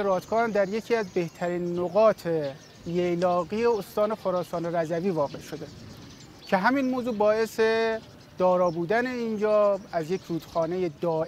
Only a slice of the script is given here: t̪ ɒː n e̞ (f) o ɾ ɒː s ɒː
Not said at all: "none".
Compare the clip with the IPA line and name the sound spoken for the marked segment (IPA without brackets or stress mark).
x